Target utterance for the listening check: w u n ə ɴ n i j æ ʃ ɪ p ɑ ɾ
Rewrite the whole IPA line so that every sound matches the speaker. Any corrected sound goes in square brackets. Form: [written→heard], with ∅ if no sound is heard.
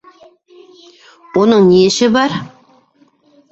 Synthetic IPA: w [u→o] n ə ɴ n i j [æ→e] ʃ ɪ [p→b] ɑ ɾ

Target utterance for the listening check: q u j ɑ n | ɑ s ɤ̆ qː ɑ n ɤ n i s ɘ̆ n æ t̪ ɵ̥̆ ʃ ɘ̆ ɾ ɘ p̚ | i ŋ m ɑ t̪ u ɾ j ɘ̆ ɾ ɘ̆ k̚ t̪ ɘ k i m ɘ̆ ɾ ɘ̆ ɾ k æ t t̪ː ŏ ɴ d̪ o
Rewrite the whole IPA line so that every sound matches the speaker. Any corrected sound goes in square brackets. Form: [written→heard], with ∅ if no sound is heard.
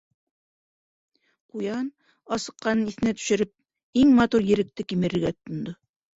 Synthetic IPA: q u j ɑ n | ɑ s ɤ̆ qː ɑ n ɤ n i [s→θ] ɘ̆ n æ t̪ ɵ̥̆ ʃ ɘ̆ ɾ ɘ p̚ | i ŋ m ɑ t̪ u ɾ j ɘ̆ ɾ ɘ̆ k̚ t̪ ɘ k i m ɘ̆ ɾ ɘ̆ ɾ [k→ɡ] æ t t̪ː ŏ [ɴ→n] d̪ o

